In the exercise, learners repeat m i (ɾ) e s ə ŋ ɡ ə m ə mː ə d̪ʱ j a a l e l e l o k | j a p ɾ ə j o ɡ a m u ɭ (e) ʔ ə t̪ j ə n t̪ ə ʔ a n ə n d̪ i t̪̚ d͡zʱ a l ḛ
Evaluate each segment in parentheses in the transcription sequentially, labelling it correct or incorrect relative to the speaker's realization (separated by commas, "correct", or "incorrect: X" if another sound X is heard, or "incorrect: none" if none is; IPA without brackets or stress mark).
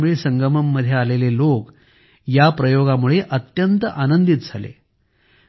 incorrect: ɭ, correct